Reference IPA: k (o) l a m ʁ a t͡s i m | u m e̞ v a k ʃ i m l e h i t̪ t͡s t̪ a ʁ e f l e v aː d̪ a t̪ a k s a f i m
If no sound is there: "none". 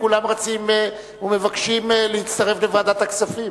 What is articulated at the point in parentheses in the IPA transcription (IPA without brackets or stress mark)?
u